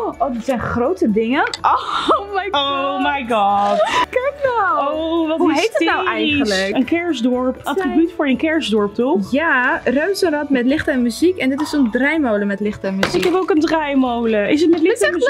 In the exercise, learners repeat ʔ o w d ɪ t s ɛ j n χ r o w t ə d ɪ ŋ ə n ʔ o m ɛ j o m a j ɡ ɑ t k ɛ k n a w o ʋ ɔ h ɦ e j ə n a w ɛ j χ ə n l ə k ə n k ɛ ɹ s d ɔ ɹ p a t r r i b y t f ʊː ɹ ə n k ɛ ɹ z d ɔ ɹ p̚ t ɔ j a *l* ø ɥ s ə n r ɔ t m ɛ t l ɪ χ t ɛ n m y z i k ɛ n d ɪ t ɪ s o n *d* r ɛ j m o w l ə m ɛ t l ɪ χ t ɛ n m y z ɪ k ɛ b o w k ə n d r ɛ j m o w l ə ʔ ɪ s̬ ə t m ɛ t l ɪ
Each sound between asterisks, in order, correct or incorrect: incorrect, correct

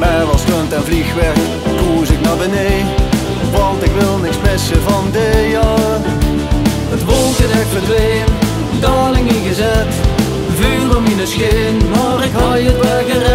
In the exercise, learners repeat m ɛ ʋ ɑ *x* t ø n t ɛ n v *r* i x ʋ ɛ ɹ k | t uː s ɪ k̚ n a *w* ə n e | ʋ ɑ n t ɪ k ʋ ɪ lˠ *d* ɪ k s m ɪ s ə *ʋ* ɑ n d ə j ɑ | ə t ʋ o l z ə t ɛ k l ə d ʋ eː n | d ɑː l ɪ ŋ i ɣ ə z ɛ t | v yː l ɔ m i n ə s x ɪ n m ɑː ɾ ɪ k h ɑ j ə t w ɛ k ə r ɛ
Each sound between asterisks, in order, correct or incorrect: incorrect, incorrect, incorrect, incorrect, incorrect

